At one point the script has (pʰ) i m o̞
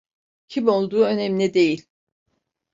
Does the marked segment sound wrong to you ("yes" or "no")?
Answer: yes